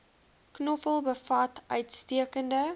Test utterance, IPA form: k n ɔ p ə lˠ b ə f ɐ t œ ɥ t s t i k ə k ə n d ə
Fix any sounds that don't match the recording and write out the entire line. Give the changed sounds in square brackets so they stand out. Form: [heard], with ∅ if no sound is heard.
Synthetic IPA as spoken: k n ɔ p ə lˠ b ə f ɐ t œ ɥ t s t i [∅] ə k ə n d ə